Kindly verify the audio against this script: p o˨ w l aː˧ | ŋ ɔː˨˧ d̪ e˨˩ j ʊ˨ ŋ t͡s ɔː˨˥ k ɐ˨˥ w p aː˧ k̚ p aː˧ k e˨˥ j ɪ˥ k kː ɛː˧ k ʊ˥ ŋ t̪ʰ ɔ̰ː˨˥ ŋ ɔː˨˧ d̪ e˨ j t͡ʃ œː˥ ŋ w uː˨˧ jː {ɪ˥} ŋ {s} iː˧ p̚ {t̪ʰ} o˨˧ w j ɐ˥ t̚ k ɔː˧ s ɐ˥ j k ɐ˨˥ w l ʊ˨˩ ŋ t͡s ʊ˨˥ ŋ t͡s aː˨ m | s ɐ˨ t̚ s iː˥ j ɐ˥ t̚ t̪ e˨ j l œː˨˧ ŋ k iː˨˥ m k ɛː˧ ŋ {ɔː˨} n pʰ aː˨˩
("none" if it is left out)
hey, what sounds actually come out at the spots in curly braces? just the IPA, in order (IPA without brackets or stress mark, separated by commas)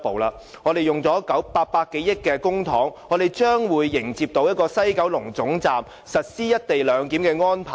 ɪ˨˩, t͡s, t̪, ɔː˥